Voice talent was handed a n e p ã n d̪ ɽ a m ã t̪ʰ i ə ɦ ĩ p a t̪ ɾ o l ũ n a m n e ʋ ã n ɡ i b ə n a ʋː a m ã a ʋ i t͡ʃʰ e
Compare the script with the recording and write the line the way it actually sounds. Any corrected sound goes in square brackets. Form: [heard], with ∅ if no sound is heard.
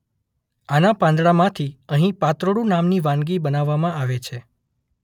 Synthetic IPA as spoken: a n [a] p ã n d̪ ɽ a m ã t̪ʰ i ə ɦ ĩ p a t̪ ɾ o [ɽ] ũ n a m n [i] ʋ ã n ɡ i b ə n a ʋː a m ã a ʋ [e] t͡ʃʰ e